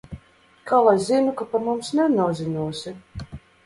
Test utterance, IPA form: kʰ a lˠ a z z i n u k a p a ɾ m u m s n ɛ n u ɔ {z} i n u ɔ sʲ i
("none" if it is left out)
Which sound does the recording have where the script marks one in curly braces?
z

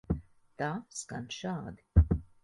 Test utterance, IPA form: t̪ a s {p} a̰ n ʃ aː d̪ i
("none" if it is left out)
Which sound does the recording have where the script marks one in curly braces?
k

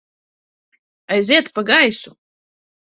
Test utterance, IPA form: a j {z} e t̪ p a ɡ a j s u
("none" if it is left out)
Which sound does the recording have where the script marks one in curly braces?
z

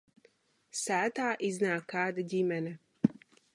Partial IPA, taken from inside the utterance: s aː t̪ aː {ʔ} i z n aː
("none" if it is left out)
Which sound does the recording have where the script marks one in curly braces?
ʔ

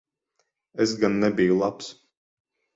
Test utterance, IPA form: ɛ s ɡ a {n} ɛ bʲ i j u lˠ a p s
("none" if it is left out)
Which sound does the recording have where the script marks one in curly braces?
nː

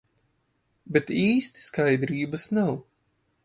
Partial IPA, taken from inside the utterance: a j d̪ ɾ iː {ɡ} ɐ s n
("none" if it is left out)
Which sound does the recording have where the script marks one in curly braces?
b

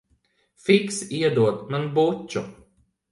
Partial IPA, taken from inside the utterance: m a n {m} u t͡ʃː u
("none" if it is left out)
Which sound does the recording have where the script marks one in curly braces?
b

